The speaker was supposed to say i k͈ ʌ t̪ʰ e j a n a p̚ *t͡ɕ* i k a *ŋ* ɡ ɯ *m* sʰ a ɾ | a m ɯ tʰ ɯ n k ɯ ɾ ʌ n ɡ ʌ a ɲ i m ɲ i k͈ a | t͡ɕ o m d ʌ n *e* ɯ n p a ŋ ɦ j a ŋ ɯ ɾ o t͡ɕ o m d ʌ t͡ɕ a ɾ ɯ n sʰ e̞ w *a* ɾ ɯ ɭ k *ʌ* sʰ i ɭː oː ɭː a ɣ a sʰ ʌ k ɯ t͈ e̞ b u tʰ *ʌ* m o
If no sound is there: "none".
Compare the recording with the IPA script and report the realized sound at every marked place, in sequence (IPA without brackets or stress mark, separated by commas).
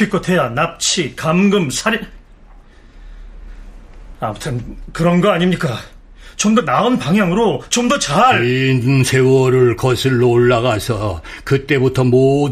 t͡ɕʰ, m, m, a, ʌ, ʌ, ʌ